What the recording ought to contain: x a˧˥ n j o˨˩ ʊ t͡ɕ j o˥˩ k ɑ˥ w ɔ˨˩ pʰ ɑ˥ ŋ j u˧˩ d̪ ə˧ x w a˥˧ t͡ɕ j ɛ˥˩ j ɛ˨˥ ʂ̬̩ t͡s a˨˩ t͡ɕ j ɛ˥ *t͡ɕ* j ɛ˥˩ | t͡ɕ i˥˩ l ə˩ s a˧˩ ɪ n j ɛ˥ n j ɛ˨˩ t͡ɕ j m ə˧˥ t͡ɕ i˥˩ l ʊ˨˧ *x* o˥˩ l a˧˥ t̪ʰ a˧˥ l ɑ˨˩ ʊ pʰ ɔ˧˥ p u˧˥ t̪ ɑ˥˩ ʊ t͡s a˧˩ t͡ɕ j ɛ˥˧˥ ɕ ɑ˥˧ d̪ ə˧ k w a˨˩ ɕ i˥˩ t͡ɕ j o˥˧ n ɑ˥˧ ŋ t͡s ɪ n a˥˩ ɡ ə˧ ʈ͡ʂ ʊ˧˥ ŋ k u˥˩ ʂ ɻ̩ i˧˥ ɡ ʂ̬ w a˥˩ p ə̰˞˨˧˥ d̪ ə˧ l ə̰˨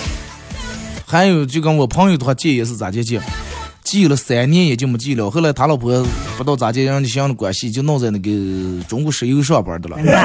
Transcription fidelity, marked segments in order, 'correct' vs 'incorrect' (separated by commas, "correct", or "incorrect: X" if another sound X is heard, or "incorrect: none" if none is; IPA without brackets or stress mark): correct, correct